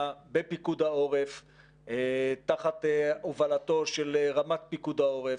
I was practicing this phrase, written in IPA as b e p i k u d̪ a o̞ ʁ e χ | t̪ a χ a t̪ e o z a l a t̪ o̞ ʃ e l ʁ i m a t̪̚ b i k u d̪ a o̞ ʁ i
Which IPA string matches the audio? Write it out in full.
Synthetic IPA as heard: b e p i k u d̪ a o̞ ʁ e f | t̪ a χ a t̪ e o v a l a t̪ o̞ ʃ e l ʁ a m a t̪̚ p i k u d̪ a o̞ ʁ e